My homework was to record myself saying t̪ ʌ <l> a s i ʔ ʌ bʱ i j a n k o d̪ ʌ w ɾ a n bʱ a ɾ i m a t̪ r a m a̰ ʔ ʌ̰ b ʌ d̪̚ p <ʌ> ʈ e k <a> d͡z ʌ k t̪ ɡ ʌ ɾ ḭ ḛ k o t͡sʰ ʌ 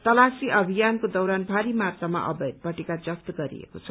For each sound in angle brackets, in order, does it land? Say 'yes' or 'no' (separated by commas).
yes, yes, yes